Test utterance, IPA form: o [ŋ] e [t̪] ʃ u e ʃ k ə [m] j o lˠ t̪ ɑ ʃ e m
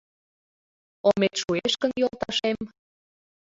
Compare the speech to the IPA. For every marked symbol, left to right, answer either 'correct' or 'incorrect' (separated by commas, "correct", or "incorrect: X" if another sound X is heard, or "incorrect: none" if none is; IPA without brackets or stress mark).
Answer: incorrect: m, correct, incorrect: n